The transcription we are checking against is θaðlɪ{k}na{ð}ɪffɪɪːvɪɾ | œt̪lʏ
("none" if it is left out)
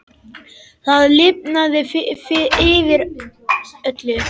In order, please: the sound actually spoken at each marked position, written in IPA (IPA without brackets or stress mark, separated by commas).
p, ð